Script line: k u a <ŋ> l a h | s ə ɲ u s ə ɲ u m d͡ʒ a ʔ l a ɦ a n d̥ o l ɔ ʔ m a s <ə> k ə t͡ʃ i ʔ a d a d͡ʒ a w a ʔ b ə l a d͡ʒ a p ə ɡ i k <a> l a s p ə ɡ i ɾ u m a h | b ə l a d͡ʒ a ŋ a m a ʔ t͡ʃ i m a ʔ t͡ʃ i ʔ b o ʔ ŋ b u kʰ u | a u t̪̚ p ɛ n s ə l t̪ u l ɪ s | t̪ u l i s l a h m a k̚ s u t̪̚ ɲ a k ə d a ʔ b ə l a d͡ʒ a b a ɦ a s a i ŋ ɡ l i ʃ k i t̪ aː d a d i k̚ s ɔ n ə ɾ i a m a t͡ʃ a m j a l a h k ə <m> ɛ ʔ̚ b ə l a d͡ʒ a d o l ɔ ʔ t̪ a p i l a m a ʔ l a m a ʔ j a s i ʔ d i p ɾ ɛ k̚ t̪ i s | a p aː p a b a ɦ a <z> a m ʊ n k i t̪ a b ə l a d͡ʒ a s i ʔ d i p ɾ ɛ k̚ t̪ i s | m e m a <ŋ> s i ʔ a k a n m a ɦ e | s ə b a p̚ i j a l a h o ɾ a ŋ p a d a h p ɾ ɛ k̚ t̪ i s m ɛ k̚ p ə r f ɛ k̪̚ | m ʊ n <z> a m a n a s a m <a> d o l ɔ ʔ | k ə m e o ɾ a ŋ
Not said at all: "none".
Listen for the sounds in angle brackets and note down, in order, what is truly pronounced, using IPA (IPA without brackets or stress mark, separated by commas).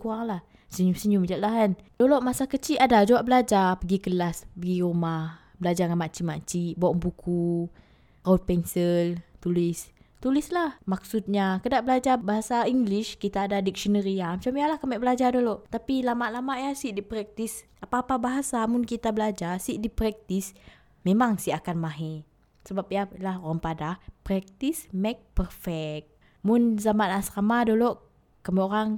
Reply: ŋ, a, ə, m, s, ŋ, z, a